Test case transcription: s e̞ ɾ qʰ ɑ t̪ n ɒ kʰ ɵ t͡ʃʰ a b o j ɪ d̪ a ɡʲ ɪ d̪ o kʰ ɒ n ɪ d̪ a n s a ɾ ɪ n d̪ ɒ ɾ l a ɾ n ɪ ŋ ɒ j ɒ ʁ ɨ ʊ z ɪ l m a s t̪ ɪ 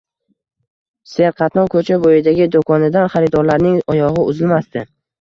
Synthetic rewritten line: s e̞ ɾ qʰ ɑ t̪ n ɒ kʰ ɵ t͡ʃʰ a b o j ɪ d̪ a ɡʲ ɪ d̪ o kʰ ɒ n ɪ d̪ a n χ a ɾ ɪ d̪ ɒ ɾ l a ɾ n ɪ ŋ ɒ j ɒ ʁ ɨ ʊ z ɪ l m a s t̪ ɪ